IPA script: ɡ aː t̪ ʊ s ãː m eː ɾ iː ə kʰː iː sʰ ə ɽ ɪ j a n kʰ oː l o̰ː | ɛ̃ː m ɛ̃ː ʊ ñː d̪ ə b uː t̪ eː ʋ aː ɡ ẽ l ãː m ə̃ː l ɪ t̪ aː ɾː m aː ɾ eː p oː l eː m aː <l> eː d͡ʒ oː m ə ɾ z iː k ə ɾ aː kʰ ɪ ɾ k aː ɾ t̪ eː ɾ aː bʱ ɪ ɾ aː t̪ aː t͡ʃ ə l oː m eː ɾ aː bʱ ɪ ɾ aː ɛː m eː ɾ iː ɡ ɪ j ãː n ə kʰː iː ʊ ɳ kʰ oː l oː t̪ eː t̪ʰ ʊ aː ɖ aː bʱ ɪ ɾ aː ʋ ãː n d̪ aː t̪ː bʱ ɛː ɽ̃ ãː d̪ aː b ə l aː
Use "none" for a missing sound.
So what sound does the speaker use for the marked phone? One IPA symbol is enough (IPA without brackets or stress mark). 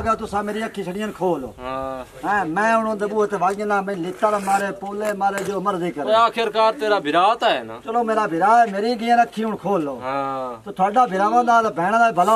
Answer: ɾ